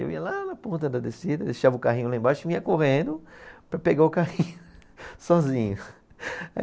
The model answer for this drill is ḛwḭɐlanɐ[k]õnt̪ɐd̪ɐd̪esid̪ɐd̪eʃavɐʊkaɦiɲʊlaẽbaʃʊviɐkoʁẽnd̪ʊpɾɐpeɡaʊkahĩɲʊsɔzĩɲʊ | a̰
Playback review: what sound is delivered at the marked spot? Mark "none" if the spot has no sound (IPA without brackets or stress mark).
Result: p